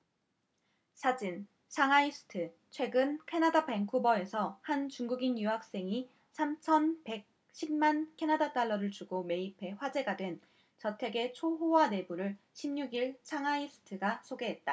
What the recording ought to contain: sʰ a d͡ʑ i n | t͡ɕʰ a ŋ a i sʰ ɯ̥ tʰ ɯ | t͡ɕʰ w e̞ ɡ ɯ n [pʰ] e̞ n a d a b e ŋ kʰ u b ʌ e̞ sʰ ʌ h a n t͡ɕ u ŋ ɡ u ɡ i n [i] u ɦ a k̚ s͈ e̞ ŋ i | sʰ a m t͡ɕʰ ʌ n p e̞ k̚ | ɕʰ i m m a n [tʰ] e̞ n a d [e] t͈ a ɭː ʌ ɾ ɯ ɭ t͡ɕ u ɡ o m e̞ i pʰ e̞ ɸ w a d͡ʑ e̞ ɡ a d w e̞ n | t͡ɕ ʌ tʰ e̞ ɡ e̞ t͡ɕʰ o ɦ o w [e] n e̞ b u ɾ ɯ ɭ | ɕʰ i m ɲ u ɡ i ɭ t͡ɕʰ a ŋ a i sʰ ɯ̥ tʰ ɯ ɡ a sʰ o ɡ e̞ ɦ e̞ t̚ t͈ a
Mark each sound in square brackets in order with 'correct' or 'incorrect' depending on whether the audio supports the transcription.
incorrect, incorrect, incorrect, incorrect, incorrect

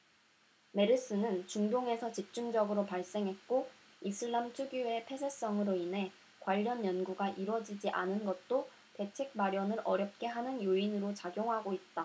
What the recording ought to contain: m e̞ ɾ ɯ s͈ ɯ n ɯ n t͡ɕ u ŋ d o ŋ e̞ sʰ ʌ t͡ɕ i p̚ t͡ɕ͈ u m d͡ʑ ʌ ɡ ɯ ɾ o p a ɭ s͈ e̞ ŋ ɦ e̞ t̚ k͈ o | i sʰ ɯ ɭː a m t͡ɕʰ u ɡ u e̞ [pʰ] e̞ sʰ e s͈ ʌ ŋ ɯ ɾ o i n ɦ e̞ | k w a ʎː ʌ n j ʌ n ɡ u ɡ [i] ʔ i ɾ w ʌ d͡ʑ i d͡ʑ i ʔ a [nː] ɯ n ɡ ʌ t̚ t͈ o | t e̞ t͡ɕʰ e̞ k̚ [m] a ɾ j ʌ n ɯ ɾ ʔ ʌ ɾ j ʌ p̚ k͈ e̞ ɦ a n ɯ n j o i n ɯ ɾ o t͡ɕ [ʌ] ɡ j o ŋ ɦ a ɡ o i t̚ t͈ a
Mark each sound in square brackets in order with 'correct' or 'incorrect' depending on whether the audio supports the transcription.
correct, incorrect, incorrect, correct, incorrect

